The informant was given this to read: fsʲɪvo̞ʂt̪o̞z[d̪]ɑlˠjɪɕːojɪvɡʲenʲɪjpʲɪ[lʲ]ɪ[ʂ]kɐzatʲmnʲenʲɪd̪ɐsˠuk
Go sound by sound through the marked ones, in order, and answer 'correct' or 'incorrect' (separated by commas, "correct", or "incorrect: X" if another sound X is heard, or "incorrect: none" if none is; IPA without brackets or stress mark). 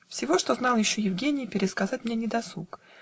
incorrect: n̪, incorrect: ɾʲ, incorrect: s